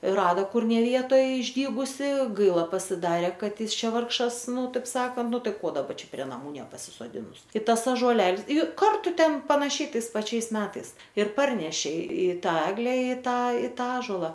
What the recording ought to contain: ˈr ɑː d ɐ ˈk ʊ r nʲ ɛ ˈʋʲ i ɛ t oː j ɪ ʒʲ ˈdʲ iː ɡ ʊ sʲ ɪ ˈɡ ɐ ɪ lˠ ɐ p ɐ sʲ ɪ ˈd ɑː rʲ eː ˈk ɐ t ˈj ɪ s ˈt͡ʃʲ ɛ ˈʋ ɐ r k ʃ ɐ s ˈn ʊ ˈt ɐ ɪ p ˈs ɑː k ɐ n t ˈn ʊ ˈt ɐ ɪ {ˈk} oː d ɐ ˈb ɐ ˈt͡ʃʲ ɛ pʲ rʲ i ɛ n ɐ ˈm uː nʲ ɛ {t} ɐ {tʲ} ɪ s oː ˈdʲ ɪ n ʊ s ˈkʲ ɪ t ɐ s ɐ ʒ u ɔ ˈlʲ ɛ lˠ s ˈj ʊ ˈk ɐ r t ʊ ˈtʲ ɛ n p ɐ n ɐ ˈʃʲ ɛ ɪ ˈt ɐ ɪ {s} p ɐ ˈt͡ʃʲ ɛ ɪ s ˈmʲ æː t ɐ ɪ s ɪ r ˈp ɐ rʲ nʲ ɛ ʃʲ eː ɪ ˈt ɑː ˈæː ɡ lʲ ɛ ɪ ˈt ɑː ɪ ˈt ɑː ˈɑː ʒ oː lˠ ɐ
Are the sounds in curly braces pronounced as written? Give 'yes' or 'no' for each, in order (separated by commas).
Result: yes, no, no, yes